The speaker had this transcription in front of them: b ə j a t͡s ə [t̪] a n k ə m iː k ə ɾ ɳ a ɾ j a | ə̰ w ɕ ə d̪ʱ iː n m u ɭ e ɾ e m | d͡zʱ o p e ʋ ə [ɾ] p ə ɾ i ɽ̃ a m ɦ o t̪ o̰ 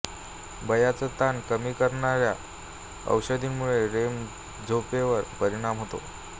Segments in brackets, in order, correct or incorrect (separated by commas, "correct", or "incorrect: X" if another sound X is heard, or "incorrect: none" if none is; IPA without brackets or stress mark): correct, correct